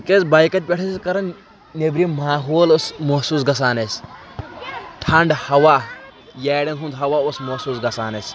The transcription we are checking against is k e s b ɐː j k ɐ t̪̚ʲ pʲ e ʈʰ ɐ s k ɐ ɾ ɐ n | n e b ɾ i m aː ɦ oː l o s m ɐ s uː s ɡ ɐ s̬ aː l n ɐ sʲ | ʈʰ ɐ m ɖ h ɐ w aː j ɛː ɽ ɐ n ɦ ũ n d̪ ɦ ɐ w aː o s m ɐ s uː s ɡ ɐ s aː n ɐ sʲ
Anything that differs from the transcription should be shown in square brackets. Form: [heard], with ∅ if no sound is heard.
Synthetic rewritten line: k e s b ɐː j k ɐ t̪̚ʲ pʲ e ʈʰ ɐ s k ɐ ɾ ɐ n | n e b ɾ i m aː ɦ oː l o s m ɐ s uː s ɡ ɐ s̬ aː [∅] n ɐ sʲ | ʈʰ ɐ [ɳ] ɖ h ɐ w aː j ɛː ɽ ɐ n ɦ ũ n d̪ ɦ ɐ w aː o s m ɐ s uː s ɡ ɐ s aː n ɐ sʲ